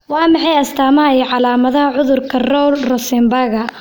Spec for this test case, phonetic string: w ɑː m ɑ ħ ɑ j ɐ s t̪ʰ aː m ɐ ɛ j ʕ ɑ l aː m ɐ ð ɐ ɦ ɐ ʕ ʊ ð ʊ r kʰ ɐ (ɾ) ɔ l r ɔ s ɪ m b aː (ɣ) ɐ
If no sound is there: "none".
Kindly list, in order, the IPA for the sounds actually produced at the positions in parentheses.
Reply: r, ɣ

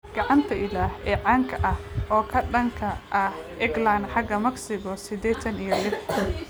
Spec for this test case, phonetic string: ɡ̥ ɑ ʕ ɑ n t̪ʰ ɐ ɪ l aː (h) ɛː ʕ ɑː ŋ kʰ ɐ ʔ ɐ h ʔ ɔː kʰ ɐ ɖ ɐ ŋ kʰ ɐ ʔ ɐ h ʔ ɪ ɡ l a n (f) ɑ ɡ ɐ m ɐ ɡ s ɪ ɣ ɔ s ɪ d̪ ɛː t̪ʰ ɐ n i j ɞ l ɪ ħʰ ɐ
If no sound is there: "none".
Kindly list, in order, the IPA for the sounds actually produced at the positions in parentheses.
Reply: h, ħ

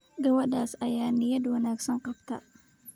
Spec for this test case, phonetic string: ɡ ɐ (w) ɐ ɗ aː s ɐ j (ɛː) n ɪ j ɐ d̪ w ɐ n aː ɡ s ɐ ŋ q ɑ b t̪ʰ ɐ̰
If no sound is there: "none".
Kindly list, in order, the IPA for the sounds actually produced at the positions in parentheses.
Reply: w, aː

